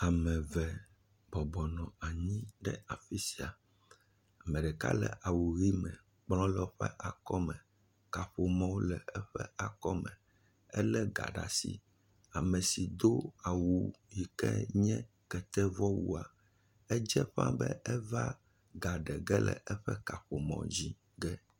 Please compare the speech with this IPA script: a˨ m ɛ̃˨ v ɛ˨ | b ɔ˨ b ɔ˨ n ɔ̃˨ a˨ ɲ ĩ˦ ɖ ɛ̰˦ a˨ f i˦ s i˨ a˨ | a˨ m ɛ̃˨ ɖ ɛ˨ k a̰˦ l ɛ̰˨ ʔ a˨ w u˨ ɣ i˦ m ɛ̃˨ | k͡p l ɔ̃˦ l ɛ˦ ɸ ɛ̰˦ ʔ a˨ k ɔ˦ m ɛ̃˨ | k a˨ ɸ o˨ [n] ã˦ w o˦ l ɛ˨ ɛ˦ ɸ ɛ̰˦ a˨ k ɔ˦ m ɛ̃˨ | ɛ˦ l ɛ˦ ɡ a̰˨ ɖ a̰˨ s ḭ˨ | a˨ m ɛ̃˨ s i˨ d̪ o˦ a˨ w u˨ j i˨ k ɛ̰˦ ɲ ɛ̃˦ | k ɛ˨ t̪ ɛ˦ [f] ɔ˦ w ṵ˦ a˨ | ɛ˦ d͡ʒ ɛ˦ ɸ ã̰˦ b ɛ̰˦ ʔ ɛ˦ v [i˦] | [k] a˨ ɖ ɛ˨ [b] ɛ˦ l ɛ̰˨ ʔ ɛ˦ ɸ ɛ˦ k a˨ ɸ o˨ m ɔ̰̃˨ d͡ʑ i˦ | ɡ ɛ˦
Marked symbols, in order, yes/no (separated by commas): no, no, no, no, no